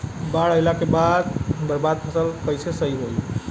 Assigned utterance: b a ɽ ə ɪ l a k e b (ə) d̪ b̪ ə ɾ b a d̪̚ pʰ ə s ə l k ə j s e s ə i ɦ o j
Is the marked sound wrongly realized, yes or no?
yes